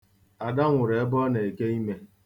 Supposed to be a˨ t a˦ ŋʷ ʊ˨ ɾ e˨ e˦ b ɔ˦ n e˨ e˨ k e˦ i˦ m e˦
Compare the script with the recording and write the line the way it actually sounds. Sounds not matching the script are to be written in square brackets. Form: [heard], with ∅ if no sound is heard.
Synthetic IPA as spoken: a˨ [d] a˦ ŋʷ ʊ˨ ɾ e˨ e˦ b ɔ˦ n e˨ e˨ k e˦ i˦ m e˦